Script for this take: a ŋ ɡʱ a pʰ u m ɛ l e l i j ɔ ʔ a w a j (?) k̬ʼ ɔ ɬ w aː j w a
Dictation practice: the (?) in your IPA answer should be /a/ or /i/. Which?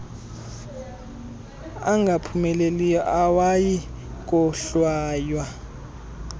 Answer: i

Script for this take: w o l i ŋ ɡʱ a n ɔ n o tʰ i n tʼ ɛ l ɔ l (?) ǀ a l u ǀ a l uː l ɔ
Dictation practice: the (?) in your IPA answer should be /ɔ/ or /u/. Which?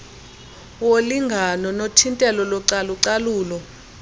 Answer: ɔ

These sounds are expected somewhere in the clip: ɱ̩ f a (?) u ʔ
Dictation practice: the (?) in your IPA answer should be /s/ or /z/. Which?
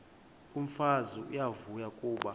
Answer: z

